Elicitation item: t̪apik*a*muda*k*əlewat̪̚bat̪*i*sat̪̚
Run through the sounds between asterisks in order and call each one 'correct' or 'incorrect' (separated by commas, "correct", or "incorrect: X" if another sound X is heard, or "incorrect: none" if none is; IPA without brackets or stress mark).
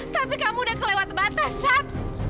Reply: correct, correct, incorrect: a